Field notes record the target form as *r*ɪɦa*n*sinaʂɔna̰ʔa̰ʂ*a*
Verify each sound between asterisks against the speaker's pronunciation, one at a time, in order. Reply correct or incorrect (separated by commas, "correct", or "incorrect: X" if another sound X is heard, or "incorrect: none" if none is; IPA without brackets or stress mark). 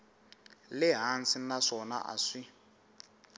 incorrect: l, correct, incorrect: i